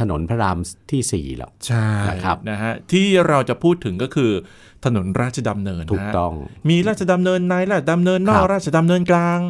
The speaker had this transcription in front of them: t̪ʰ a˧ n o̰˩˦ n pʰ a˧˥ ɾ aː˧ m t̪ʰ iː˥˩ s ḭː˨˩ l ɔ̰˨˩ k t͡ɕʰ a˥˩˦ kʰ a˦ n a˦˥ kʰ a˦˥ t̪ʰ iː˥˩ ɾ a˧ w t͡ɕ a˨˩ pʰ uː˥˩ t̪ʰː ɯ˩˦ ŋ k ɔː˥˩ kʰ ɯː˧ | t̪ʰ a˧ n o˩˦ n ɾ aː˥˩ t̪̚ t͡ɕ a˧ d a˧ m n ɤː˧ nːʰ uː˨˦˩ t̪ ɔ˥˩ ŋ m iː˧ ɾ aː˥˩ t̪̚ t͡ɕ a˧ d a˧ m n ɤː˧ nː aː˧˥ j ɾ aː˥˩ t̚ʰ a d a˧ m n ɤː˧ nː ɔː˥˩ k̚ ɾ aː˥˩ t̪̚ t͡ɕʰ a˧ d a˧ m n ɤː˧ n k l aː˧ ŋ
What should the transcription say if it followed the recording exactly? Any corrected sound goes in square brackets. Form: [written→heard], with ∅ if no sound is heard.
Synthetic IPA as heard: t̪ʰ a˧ n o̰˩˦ n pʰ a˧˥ ɾ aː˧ m t̪ʰ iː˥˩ s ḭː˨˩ l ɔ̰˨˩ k t͡ɕʰ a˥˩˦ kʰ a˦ n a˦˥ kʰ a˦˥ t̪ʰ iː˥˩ ɾ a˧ w t͡ɕ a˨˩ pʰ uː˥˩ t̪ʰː ɯ˩˦ ŋ k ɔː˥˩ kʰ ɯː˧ | t̪ʰ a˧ n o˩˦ n ɾ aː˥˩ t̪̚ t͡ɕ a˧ d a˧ m n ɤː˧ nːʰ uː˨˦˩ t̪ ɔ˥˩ ŋ m iː˧ ɾ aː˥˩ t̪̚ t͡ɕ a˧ d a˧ m n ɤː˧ nː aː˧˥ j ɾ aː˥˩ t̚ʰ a d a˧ m n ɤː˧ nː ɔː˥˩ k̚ ɾ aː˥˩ t̪̚ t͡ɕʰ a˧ d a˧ m n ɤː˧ n k l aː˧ ŋ